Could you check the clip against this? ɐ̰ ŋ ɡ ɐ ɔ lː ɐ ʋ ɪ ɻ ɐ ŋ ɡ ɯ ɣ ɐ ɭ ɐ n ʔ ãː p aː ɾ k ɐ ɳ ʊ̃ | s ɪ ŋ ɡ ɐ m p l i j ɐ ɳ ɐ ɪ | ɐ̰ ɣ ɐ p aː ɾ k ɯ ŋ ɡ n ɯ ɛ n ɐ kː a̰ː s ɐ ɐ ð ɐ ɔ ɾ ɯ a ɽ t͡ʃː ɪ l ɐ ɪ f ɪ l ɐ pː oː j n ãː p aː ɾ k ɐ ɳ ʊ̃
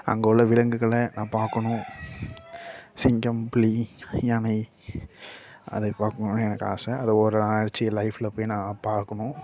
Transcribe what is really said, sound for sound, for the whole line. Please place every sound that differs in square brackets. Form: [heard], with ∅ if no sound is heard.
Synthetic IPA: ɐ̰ ŋ ɡ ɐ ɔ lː ɐ ʋ ɪ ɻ ɐ ŋ ɡ ɯ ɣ ɐ ɭ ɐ n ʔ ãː p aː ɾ k ɐ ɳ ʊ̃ | s ɪ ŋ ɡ ɐ m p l i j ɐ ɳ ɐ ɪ | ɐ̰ [ð] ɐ p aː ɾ k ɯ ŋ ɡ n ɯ ɛ n ɐ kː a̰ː s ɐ ɐ ð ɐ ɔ ɾ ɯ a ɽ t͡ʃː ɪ l ɐ ɪ f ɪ l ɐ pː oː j n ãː p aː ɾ k ɐ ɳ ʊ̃